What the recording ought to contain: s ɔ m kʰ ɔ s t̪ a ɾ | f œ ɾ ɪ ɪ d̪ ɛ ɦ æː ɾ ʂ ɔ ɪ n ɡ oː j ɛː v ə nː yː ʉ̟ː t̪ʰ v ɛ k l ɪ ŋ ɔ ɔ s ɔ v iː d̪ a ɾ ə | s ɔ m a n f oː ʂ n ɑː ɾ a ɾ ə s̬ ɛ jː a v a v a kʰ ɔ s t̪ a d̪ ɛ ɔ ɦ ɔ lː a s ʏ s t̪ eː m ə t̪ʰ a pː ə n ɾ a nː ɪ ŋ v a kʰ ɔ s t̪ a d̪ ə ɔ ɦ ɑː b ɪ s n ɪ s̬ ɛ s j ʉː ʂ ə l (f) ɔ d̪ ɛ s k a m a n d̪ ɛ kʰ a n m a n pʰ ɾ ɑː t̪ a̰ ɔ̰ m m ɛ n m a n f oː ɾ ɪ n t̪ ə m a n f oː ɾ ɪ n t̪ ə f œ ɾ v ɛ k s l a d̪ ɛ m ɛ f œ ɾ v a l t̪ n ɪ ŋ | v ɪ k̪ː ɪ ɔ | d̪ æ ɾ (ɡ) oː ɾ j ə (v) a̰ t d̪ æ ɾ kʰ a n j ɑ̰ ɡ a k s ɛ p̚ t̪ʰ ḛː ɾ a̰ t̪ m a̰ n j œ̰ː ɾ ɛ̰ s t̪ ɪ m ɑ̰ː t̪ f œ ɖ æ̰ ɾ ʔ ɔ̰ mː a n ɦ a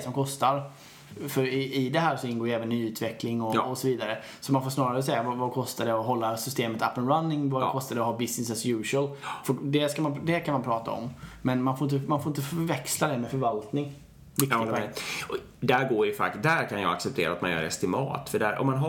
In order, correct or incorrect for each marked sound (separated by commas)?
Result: correct, correct, incorrect